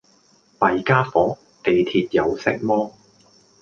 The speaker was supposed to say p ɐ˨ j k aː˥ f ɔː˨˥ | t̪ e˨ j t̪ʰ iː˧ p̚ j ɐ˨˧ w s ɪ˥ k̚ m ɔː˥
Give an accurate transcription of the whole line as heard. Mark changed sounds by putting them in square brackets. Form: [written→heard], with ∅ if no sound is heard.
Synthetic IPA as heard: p ɐ˨ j k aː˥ f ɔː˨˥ | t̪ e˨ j t̪ʰ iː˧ [p̚→t̚] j ɐ˨˧ w s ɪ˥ k̚ m ɔː˥

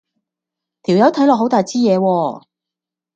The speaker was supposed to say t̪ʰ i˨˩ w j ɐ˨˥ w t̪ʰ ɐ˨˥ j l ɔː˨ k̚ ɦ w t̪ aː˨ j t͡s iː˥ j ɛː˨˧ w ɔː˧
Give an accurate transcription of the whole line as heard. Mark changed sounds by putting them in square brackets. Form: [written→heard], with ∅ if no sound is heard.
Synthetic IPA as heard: t̪ʰ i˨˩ w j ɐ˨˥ w t̪ʰ ɐ˨˥ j l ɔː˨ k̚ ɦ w t̪ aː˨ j t͡s iː˥ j ɛː˨˧ w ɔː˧

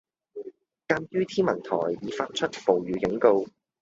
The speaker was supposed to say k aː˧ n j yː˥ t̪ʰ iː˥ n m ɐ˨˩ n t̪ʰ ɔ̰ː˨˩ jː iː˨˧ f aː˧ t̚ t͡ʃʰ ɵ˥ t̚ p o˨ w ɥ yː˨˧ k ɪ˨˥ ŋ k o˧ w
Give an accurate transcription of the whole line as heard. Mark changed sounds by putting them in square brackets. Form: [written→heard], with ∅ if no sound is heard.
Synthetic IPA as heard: k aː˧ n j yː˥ t̪ʰ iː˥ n m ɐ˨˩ n t̪ʰ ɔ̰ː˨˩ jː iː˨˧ f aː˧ t̚ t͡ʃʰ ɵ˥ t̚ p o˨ w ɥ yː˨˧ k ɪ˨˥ ŋ k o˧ w

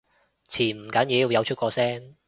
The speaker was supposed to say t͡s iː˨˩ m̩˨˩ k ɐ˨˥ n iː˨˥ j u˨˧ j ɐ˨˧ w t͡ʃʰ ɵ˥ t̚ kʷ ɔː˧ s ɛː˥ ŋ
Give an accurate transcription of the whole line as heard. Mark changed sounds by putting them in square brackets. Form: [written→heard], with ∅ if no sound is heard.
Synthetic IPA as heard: [t͡s→t͡sʰ] iː˨˩ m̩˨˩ k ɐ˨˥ n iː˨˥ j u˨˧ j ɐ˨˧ w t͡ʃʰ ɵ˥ t̚ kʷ ɔː˧ s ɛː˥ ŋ

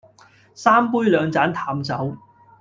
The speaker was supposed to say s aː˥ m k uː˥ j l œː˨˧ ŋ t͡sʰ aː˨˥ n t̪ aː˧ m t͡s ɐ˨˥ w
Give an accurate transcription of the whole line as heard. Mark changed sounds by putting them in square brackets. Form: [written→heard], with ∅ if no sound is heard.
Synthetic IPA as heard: s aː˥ m [k→p] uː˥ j l œː˨˧ ŋ [t͡sʰ→t͡s] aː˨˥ n [t̪→t̪ʰ] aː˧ m t͡s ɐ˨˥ w

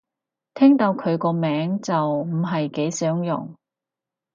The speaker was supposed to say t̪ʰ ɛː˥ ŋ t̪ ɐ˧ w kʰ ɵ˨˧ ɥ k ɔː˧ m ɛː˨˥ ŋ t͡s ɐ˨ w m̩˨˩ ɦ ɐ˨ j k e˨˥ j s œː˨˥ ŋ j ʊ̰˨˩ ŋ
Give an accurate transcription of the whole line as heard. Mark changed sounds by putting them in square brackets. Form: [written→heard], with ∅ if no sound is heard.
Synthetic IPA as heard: t̪ʰ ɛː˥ ŋ t̪ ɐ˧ w kʰ ɵ˨˧ ɥ k ɔː˧ m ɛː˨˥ ŋ t͡s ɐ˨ w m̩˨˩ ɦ ɐ˨ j k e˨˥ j s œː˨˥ ŋ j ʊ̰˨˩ ŋ

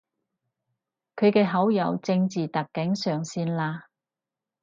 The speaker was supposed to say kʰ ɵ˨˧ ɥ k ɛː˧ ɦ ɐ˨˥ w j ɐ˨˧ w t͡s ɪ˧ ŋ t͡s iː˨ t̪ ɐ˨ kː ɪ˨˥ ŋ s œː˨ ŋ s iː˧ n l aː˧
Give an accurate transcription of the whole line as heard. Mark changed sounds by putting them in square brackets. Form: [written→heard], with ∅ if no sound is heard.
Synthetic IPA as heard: kʰ ɵ˨˧ ɥ k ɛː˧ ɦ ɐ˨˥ w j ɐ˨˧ w t͡s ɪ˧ ŋ t͡s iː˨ t̪ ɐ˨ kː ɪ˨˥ ŋ s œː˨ ŋ s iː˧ n l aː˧

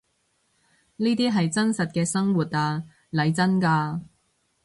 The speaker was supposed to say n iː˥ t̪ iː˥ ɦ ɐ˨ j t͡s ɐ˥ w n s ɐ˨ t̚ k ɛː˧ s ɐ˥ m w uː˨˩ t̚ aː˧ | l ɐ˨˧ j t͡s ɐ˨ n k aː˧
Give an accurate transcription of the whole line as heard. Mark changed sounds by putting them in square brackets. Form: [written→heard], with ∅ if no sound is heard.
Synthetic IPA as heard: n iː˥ t̪ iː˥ ɦ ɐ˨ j t͡s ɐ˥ [w→∅] n s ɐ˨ t̚ k ɛː˧ s ɐ˥ [m→ŋ] w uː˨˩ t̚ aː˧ | l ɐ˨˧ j t͡s [ɐ˨→ɐ˥] n k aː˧

